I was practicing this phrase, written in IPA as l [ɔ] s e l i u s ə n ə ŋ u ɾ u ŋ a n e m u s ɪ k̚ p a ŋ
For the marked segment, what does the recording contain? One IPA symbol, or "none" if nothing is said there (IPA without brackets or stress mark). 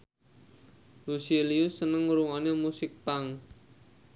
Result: u